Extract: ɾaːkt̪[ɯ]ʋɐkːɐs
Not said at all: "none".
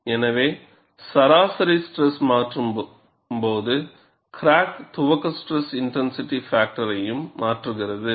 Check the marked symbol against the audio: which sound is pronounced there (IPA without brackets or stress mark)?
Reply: ʊ